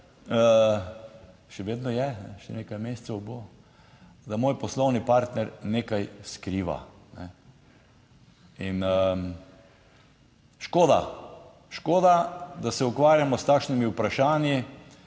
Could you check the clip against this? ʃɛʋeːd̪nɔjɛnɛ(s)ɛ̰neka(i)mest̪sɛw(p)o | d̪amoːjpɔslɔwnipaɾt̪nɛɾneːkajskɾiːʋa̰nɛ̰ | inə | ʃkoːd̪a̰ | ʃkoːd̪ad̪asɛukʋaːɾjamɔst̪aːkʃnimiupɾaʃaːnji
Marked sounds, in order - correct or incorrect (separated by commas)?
incorrect, incorrect, incorrect